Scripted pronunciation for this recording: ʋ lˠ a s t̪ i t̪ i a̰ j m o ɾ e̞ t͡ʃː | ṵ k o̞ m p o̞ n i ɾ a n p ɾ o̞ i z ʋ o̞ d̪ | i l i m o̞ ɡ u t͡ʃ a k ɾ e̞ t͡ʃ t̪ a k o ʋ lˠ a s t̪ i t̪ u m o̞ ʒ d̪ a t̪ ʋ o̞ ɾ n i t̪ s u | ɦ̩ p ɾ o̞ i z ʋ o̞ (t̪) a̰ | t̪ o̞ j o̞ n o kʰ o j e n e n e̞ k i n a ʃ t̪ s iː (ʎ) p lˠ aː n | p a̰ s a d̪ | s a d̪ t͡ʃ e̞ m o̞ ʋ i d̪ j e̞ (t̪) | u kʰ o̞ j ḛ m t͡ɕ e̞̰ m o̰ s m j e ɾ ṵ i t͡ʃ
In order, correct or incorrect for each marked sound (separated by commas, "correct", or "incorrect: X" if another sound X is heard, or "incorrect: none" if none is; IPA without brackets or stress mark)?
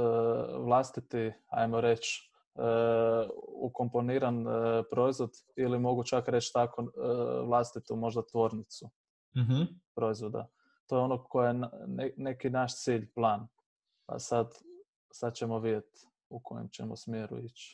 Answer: incorrect: d̪, correct, correct